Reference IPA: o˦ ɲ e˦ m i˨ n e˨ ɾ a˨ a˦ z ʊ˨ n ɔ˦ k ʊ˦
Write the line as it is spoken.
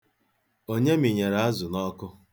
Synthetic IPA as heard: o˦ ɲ e˦ m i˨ ɲ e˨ ɾ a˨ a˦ z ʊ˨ n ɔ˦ k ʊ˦